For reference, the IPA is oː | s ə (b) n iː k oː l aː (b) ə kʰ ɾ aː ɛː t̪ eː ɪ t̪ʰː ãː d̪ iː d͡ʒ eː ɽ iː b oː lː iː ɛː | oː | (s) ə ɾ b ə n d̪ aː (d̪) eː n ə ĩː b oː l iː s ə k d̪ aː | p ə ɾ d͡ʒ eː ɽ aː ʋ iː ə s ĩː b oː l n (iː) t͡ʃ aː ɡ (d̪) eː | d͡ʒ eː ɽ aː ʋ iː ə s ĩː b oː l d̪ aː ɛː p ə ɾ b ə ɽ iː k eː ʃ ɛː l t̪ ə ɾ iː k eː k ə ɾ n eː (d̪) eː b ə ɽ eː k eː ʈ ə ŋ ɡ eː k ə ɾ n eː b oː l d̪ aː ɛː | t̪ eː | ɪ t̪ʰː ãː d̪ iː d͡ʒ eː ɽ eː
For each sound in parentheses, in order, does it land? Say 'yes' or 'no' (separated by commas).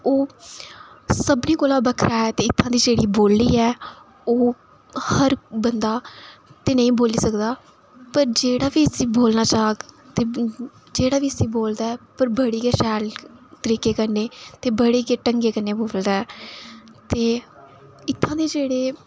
yes, yes, no, no, no, no, no